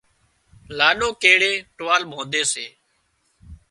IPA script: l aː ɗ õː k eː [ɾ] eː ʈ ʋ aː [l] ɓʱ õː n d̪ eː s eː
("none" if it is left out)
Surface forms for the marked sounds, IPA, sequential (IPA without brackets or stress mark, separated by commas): ɽ, l